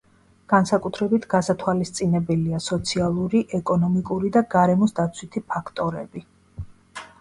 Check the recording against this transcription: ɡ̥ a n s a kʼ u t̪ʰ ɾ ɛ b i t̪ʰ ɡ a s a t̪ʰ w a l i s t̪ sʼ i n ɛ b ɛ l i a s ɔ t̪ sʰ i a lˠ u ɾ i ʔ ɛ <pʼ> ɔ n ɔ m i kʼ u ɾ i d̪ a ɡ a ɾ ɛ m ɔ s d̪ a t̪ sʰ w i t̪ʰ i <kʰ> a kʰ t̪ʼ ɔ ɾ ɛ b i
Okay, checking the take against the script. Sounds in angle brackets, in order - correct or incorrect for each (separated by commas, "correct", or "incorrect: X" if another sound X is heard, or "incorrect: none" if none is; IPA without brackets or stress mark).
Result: incorrect: kʼ, incorrect: pʰ